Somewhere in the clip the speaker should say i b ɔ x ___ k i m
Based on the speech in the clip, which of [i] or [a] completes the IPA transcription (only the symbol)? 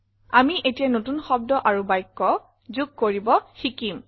i